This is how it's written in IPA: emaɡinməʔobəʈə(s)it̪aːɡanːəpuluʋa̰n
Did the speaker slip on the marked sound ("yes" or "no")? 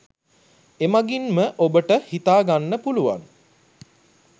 yes